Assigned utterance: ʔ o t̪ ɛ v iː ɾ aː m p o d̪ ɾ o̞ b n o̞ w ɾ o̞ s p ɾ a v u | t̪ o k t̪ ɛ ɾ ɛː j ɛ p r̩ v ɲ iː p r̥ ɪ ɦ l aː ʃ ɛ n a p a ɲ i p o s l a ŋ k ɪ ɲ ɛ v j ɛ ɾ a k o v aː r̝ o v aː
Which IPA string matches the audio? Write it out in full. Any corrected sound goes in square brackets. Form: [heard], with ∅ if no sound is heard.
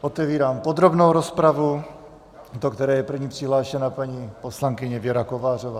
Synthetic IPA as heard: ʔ o t̪ ɛ v iː ɾ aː m p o d̪ ɾ o̞ b n o̞ w ɾ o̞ s p ɾ a v u | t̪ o k t̪ ɛ ɾ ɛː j ɛ p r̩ v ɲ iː p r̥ ɪ ɦ l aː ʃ ɛ n a p a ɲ i p o s l a ŋ k ɪ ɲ ɛ v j ɛ ɾ a k o v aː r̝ o v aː